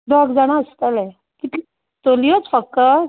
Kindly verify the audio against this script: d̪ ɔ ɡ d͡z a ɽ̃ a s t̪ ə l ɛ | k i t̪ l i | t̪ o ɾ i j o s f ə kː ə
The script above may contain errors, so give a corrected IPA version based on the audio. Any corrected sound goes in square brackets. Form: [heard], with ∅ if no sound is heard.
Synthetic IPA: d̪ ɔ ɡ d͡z a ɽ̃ a s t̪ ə l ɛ | k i t̪ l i | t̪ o [l] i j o [t͡s] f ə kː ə